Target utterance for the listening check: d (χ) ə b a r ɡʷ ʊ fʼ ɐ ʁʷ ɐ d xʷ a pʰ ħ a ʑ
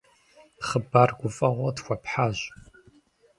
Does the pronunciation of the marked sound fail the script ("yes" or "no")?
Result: no